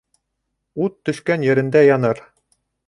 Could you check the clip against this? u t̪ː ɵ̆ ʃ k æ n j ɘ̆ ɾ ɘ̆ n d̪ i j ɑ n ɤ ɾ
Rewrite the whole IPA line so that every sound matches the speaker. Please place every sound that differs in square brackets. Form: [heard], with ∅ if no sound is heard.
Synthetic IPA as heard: u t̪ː ɵ̆ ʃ k æ n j ɘ̆ ɾ ɘ̆ n d̪ [æ] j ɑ n ɤ ɾ